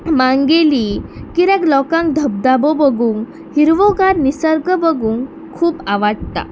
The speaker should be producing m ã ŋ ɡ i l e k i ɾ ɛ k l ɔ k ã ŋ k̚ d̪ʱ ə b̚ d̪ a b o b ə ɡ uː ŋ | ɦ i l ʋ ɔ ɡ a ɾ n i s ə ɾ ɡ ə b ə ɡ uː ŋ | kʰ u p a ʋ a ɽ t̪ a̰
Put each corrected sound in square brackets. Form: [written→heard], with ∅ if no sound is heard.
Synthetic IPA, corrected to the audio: m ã ŋ ɡ [i→e] l [e→i] k i ɾ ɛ k l ɔ k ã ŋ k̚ d̪ʱ ə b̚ d̪ a b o b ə ɡ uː ŋ | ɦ i [l→ɾ] ʋ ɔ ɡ a ɾ n i s ə ɾ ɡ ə b ə ɡ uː ŋ | kʰ [u→uː] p a ʋ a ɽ t̪ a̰